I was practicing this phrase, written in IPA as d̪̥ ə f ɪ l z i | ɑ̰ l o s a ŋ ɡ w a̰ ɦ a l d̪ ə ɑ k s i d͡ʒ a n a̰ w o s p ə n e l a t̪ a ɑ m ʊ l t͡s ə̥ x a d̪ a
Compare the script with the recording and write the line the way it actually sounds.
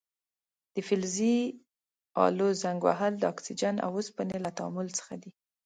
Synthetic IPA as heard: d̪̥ ə f ɪ l z i | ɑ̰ l o z a ŋ ɡ w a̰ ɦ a l d̪ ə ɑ k s i d͡ʒ a n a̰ w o s p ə n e l a t̪ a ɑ m ʊ l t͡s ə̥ x a d̪ i